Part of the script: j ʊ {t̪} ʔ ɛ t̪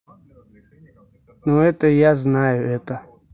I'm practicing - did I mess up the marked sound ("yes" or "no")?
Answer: yes